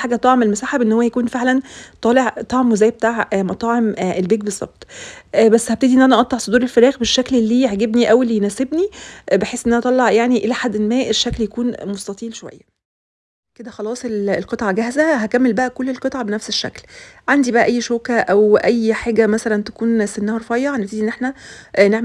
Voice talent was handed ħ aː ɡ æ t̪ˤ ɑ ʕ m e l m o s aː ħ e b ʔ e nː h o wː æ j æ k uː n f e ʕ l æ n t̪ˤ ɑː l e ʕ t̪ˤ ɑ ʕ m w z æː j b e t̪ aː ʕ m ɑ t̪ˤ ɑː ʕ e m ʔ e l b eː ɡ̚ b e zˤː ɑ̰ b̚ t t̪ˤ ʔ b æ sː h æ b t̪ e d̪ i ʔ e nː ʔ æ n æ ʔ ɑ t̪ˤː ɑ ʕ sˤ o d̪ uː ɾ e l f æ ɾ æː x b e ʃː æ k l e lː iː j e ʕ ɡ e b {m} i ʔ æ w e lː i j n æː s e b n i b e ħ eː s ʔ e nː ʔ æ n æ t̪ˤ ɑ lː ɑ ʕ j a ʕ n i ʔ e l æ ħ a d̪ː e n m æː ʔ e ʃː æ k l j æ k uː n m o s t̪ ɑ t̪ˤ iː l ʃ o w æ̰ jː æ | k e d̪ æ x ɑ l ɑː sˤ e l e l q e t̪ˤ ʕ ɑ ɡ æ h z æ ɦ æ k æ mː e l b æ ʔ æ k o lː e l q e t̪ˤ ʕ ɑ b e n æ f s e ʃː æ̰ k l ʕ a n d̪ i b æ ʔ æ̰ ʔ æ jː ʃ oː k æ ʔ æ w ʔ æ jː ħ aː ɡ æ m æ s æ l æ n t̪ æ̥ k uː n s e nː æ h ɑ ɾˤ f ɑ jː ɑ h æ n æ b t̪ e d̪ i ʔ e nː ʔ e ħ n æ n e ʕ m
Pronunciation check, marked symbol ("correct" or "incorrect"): incorrect